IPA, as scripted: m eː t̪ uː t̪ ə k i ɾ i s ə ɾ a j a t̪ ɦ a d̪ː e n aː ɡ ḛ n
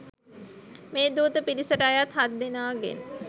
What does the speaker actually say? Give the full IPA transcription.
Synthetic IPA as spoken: m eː d̪ uː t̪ ə p i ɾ i s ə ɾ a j a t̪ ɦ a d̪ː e n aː ɡ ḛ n